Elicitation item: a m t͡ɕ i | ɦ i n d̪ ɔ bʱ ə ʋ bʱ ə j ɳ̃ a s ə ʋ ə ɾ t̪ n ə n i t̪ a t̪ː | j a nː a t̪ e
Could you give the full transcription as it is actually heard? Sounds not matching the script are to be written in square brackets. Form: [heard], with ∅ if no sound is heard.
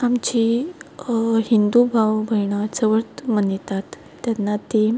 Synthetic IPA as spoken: a m t͡ɕ i | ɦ i n d̪ [u] bʱ [a] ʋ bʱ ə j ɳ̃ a [t͡s] ə ʋ ə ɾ t̪ [m] ə n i t̪ a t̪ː | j a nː a t̪ e